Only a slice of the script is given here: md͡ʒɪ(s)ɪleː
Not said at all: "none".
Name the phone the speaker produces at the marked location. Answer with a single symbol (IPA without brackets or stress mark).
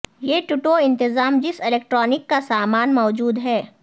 s